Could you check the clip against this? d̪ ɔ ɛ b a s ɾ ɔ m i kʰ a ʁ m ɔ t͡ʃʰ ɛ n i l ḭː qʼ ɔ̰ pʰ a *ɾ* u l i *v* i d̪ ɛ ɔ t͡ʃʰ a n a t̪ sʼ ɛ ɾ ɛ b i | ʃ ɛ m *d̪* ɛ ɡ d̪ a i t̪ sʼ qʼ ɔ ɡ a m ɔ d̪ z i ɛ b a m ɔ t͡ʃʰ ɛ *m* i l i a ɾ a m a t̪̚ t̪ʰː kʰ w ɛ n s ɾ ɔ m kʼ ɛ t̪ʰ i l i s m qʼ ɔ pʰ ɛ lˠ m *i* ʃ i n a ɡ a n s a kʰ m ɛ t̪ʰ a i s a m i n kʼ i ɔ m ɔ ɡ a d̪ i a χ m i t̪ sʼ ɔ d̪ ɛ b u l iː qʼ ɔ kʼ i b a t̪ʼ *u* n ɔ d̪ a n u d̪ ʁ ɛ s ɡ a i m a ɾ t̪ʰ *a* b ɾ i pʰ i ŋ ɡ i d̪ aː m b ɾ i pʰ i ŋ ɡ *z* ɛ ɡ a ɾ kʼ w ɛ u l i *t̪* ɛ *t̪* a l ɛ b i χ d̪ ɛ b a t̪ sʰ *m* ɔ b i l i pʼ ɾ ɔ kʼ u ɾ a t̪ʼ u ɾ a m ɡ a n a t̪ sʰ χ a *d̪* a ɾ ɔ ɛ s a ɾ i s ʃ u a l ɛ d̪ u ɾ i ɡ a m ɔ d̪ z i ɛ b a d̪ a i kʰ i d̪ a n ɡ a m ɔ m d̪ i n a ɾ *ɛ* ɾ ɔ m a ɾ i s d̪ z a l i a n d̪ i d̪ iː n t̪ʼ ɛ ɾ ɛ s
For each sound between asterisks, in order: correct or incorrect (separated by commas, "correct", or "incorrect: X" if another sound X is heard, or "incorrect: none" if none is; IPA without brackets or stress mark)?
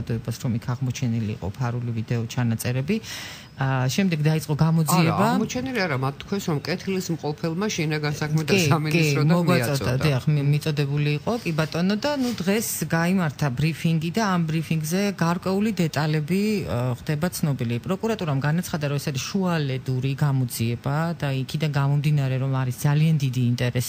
correct, correct, correct, incorrect: n, incorrect: a, incorrect: ɔ, correct, correct, incorrect: d̪, incorrect: t̪ʼ, incorrect: n, correct, correct